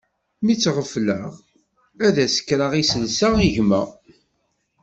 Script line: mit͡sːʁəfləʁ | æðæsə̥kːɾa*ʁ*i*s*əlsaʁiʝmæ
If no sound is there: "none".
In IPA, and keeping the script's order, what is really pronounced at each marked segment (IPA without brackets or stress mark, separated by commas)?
ʁ, s